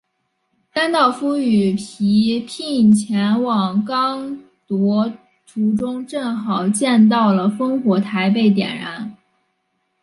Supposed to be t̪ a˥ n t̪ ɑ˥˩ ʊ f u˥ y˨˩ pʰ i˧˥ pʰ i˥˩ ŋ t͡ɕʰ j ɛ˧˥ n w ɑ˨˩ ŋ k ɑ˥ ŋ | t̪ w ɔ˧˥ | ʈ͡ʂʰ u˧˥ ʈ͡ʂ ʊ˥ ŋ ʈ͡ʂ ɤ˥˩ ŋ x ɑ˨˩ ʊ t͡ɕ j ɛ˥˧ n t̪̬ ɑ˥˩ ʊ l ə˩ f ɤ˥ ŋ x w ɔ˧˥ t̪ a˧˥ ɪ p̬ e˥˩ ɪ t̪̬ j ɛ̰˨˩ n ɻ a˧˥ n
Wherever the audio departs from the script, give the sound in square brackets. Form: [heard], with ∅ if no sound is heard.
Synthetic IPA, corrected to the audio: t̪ a˥ n t̪ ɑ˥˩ ʊ f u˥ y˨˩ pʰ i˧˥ pʰ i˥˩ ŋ t͡ɕʰ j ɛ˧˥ n w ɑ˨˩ ŋ k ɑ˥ ŋ | t̪ w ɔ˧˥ | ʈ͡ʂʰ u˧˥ ʈ͡ʂ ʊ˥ ŋ ʈ͡ʂ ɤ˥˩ ŋ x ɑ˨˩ ʊ t͡ɕ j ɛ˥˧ n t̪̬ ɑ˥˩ ʊ l ə˩ f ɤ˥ ŋ x w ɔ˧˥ [t̪ʰ] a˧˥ ɪ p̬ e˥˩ ɪ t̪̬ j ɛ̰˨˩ n ɻ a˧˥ n